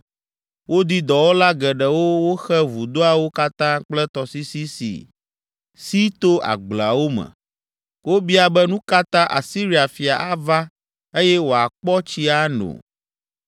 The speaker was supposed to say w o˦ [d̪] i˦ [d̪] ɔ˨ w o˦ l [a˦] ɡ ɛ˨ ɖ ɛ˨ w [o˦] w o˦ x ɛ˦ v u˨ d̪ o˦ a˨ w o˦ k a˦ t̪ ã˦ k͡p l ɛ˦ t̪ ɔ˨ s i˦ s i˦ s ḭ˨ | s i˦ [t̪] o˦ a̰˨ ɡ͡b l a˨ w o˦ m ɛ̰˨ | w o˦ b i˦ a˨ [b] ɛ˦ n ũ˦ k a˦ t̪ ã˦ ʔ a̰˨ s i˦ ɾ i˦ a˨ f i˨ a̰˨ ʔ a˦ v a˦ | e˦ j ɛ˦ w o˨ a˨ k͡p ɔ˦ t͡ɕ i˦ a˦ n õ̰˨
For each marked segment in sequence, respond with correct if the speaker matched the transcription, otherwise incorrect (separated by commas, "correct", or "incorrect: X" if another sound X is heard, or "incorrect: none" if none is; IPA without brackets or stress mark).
correct, correct, correct, correct, correct, correct